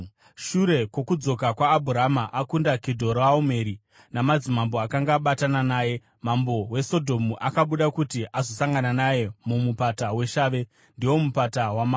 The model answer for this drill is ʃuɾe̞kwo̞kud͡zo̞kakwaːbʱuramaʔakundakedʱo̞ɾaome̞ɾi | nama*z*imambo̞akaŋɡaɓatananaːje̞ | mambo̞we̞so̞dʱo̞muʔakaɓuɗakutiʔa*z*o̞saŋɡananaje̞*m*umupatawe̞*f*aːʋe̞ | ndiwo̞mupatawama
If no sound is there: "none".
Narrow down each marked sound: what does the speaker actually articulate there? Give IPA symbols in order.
d͡z, z, m, ʃ

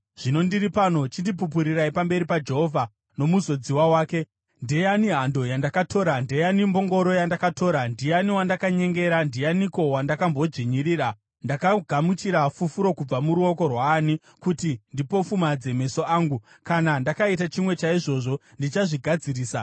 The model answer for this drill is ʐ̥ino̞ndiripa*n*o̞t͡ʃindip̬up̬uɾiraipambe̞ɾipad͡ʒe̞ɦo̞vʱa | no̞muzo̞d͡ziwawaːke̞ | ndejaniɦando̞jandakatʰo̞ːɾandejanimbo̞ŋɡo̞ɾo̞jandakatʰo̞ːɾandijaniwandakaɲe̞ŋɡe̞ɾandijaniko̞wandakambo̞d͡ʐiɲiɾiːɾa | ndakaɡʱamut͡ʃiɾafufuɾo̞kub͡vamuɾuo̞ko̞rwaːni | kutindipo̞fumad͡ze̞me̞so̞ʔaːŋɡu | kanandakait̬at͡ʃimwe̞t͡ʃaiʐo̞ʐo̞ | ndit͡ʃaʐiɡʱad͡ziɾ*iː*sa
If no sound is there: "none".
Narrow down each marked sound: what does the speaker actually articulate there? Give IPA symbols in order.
n, iː

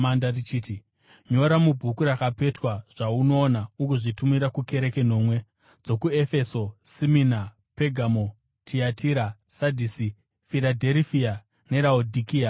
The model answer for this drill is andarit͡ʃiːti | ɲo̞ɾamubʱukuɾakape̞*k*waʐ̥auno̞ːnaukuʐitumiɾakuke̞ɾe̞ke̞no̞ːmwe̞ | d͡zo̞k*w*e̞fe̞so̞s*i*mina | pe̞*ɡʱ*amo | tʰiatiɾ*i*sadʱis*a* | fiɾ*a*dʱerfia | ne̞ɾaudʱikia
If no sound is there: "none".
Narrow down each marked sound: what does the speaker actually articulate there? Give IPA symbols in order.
t, u, i, ɡʱ, a, i, a

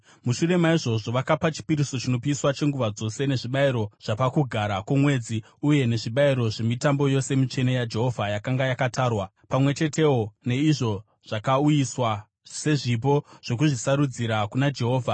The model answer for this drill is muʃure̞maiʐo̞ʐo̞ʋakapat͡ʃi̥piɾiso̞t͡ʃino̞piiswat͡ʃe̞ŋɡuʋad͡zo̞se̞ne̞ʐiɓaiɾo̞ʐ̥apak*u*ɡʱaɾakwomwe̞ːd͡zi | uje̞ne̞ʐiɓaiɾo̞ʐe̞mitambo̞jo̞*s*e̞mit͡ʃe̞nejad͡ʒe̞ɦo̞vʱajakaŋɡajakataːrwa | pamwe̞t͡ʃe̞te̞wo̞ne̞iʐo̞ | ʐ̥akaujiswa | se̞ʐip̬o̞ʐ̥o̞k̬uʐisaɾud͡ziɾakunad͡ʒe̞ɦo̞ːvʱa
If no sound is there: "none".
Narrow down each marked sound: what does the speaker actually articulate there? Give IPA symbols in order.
u, s

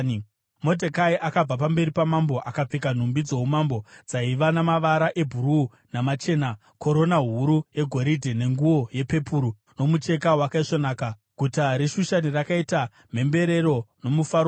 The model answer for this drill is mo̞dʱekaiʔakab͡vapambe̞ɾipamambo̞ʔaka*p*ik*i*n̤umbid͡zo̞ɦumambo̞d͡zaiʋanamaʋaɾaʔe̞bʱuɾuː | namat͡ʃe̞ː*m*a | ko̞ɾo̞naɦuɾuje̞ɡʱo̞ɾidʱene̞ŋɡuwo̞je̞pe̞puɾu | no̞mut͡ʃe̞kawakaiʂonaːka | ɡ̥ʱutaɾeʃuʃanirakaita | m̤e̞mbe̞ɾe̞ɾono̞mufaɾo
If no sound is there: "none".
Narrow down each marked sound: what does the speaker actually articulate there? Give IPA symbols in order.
p͡f, a, n

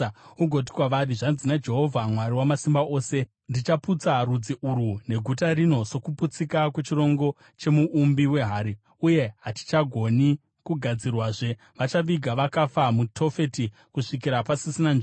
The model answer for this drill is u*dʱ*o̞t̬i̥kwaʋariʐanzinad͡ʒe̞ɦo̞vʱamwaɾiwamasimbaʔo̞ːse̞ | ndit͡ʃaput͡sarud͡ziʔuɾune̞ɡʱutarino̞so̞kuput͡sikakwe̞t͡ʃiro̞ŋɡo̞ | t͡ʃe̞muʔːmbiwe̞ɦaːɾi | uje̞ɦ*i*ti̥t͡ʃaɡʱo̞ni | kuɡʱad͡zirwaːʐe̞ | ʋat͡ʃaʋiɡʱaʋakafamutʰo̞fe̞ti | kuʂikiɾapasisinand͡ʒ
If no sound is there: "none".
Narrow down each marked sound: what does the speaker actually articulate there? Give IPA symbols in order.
ɡʱ, a

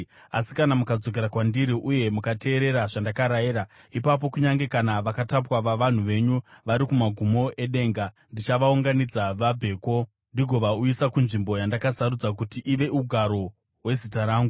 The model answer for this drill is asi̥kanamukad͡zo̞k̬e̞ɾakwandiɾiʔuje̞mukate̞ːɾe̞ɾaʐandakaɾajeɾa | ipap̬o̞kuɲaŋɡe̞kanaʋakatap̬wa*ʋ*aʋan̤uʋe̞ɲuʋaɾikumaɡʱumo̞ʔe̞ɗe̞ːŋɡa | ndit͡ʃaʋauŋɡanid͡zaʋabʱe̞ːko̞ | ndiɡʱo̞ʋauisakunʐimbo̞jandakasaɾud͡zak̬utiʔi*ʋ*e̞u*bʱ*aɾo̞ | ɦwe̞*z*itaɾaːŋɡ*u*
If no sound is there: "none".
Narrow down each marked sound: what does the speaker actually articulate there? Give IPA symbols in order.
ʋ, ʋ, ɡʱ, z, u

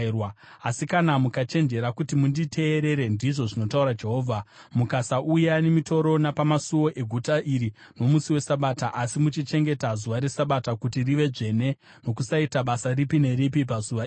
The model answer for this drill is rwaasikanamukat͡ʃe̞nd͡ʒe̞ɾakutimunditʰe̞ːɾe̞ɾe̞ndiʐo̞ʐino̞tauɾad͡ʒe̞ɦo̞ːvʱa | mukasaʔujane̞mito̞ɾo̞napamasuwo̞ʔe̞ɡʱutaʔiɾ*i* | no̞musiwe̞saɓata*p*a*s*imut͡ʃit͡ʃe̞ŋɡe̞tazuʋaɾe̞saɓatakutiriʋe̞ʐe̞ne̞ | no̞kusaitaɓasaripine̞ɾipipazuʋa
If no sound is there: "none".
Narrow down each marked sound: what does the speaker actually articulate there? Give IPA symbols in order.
i, ʔ, s

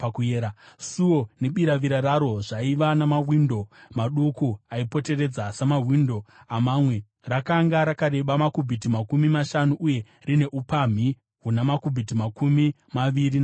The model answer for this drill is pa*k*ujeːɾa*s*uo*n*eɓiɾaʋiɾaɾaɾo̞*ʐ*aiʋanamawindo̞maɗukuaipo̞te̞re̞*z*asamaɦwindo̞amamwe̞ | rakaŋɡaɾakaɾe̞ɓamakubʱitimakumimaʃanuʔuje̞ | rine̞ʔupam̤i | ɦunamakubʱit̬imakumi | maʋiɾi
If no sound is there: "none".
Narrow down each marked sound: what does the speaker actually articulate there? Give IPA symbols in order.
k, s, n, ʐ, d͡z

